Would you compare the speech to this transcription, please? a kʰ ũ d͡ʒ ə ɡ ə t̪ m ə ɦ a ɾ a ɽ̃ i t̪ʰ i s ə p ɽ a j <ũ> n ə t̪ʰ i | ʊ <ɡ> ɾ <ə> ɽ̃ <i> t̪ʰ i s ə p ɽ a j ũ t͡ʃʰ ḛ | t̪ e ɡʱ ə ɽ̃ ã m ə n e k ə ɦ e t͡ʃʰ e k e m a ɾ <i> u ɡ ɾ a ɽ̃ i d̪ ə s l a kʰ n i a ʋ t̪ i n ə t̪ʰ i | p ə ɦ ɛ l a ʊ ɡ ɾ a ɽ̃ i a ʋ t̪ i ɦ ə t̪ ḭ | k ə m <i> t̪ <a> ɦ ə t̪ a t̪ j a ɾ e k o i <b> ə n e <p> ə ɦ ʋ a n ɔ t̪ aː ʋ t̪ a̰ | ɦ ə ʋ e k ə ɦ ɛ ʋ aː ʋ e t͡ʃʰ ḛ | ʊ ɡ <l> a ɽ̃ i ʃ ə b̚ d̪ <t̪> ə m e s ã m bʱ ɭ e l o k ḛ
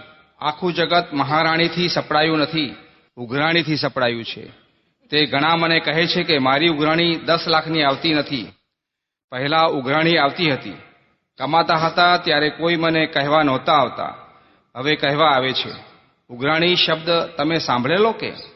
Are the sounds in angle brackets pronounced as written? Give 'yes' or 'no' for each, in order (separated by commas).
yes, yes, no, yes, yes, no, yes, no, no, no, yes